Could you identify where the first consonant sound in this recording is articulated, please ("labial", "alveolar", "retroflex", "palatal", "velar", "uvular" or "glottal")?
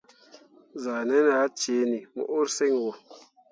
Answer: alveolar